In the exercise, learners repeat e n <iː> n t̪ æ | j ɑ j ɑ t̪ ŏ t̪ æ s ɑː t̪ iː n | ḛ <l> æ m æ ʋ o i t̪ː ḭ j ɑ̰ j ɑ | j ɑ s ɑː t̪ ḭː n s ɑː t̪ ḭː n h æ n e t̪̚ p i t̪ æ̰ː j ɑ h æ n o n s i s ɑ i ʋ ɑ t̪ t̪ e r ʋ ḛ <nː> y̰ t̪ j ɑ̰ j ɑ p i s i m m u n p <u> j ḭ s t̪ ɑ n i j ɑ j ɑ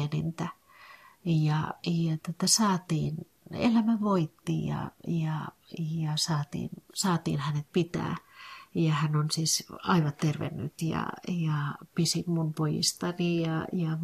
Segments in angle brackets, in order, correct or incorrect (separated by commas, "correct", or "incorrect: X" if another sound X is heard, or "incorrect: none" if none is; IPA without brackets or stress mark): incorrect: i, correct, correct, incorrect: o